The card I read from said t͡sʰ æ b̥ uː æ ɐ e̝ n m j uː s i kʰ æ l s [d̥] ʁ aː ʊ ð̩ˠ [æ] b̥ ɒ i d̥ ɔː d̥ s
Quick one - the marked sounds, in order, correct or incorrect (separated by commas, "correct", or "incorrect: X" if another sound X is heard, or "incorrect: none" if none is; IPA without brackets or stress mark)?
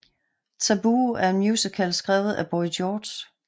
incorrect: ɡ̥, correct